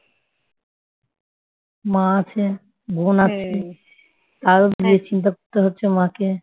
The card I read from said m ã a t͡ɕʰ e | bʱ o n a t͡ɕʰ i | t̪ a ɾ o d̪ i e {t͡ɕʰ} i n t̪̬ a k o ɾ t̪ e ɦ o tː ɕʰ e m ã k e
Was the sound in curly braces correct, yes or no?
no